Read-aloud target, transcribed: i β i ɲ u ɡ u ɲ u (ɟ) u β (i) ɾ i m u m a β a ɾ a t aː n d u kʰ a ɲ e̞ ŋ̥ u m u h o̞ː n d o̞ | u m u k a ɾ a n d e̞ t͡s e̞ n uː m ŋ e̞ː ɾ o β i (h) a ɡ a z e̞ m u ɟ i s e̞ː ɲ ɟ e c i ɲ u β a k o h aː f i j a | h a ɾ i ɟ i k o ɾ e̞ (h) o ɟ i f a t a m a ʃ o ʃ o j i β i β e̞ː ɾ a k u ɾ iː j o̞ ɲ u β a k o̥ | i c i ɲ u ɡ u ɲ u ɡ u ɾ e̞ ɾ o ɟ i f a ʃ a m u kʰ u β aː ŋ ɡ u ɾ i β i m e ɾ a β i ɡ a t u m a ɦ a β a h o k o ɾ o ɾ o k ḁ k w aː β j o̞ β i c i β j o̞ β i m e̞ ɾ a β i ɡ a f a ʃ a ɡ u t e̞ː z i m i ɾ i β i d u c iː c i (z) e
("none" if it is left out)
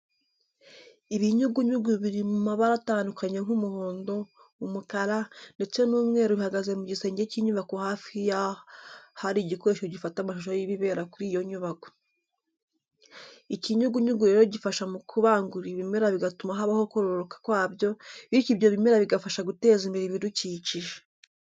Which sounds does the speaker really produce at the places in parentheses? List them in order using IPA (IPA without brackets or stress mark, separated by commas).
ɡ, i, h, ʃ, ʒ